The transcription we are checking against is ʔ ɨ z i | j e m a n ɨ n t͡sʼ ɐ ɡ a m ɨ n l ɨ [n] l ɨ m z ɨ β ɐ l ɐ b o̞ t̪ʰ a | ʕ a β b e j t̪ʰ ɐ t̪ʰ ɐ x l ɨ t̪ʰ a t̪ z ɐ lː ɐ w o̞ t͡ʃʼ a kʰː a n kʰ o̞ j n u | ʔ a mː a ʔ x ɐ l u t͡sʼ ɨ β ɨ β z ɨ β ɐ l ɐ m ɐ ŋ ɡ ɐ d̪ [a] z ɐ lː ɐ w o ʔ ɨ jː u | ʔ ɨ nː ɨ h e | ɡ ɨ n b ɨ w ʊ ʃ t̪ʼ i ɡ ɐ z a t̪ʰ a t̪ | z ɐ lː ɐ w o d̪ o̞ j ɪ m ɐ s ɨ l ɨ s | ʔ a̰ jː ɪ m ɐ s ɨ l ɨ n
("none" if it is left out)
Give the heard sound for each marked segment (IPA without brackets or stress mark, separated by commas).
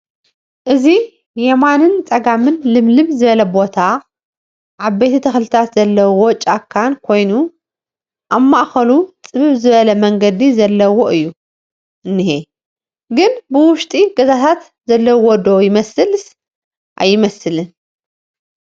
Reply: m, i